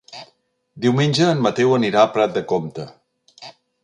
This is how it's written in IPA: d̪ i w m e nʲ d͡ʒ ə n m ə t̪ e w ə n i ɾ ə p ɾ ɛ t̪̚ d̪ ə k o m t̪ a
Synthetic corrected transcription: d̪ i w m e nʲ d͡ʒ əː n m ə t̪ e w ə n i ɾ a p ɾ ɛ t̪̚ d̪ ə k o m t̪ ə